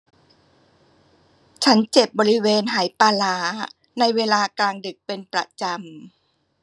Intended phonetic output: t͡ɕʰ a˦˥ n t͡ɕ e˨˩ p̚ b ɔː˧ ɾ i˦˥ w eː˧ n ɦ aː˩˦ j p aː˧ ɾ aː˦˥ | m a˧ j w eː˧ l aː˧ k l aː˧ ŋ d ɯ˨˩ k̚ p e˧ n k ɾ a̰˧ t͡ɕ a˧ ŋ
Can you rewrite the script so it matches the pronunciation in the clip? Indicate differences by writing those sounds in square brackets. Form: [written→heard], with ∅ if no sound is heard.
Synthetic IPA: t͡ɕʰ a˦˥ n t͡ɕ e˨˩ p̚ b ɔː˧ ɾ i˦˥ w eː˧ n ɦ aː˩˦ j p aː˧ [ɾ→l] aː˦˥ | [m→n] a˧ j w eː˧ l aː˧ k l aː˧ ŋ d ɯ˨˩ k̚ p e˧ n [k→p] ɾ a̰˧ t͡ɕ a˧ [ŋ→m]